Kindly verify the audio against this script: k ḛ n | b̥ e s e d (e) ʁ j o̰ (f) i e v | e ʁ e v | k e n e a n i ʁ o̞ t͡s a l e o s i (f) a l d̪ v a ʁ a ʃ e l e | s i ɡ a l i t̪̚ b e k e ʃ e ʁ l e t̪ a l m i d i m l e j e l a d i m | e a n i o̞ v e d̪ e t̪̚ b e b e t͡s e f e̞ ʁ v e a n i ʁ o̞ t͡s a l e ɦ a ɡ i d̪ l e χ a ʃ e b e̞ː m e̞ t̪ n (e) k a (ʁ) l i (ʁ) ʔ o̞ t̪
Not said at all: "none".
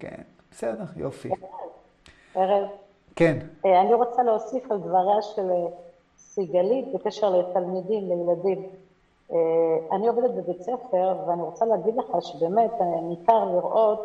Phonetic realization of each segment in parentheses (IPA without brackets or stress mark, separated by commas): e, f, f, i, ʁ, ʁ